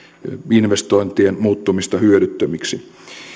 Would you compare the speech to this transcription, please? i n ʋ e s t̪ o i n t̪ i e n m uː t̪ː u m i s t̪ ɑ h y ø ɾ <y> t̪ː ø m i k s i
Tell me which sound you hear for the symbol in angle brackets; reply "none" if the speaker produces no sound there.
y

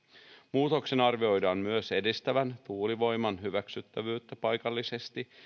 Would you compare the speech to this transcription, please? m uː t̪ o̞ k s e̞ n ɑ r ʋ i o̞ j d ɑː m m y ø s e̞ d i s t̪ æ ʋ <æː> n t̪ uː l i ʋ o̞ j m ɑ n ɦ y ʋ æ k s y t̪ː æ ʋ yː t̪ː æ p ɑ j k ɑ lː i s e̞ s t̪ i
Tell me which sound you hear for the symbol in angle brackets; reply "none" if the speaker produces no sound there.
æ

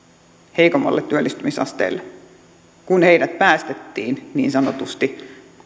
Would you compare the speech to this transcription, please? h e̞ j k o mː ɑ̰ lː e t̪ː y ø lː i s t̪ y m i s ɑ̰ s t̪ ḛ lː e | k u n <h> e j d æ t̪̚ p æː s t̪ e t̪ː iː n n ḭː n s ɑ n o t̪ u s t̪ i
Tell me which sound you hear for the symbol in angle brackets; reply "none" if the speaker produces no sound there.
h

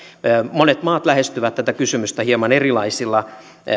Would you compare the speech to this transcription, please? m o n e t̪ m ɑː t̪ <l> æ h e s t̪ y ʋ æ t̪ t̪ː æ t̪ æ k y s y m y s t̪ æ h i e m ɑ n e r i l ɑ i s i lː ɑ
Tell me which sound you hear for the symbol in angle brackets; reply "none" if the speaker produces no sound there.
l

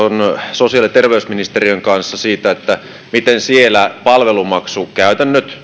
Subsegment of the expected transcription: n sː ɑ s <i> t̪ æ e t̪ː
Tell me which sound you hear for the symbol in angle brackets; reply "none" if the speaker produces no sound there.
iː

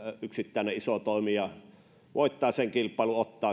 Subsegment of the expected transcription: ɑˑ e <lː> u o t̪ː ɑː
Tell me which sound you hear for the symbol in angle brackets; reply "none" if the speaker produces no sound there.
l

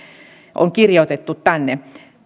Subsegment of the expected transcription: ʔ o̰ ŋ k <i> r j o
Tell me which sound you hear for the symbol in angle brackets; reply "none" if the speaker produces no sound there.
i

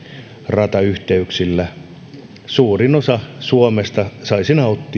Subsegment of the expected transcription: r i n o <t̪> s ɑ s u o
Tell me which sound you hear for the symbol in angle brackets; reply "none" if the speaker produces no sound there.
none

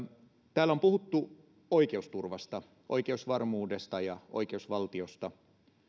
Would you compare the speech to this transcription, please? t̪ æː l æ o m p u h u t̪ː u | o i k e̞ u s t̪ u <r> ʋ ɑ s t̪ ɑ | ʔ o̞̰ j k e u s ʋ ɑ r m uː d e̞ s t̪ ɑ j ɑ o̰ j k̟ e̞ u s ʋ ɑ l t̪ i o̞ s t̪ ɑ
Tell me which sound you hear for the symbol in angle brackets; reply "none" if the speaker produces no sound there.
r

